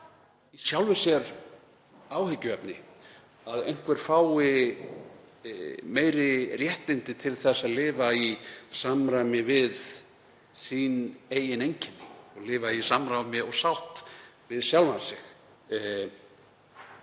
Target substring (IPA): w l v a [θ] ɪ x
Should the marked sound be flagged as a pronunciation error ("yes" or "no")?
yes